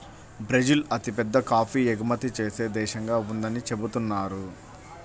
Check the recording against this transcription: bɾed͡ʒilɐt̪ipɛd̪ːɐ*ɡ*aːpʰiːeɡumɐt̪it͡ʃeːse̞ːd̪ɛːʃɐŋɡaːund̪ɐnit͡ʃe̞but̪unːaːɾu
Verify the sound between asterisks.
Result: incorrect: k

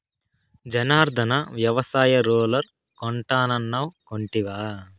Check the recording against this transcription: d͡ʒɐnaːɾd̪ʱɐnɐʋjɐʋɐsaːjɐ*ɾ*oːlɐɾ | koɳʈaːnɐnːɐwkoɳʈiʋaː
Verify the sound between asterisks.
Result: correct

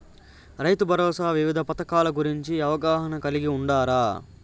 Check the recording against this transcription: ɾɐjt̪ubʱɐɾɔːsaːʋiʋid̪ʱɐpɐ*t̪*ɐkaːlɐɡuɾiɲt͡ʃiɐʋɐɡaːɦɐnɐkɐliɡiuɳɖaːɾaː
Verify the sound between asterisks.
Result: correct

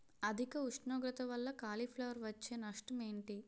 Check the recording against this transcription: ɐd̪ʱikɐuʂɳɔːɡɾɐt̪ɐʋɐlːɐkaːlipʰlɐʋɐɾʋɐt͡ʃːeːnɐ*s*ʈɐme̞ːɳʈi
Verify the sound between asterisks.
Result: incorrect: ʂ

